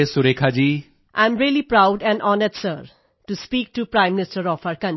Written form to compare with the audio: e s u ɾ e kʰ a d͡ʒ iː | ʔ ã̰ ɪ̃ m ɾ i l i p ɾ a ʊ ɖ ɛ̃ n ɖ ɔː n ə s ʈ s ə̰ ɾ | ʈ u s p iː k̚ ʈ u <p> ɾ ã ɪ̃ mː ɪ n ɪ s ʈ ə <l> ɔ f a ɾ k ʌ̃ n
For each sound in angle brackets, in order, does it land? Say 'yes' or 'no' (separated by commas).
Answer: yes, no